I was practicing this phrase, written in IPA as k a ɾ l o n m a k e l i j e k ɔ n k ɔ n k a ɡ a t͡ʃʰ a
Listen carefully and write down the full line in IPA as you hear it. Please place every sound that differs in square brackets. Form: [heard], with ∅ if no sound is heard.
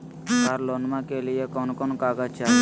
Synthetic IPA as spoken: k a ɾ l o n m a k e l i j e k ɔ n k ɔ n k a ɡ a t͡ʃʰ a